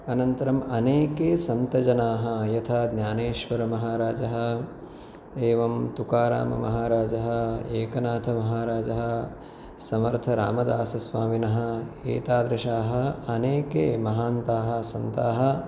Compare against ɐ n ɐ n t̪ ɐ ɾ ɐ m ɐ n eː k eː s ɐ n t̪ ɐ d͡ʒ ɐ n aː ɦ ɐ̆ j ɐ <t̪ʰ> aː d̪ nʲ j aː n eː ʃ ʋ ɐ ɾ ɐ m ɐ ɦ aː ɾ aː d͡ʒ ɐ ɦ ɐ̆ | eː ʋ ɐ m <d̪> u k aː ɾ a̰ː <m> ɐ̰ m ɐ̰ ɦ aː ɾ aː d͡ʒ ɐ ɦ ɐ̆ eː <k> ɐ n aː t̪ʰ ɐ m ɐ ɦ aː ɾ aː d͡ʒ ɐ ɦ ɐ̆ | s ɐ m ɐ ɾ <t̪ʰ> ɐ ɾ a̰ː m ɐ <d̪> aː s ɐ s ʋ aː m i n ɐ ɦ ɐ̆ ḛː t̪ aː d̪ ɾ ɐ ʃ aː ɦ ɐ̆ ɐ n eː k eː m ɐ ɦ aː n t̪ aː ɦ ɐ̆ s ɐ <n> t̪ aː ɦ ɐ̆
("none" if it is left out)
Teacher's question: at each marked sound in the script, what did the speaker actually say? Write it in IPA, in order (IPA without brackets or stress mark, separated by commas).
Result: t̪ʰ, t̪, m, k, t̪ʰ, d̪, n